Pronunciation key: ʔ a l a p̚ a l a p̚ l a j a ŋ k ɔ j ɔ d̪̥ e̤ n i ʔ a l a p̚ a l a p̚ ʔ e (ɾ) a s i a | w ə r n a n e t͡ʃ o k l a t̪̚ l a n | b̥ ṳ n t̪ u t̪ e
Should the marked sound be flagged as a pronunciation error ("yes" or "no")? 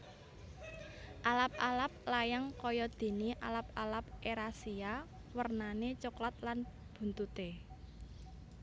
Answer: no